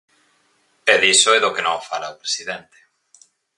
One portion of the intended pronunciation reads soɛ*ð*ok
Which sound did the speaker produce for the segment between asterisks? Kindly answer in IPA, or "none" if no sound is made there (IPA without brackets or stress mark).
ð